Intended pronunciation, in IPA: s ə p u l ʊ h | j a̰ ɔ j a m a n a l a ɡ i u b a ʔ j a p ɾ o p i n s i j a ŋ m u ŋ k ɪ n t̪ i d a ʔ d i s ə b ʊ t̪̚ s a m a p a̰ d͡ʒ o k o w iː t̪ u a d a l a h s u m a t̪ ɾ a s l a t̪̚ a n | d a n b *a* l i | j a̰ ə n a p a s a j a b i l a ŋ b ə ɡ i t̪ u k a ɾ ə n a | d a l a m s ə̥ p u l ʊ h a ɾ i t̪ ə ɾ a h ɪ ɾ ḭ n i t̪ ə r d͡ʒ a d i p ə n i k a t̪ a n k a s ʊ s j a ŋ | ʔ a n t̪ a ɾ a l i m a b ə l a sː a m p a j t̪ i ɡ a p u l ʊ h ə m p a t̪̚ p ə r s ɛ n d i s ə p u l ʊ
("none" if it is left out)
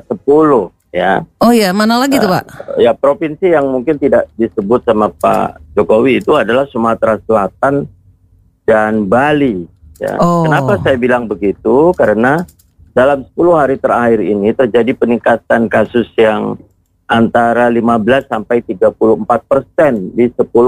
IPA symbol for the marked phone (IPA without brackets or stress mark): a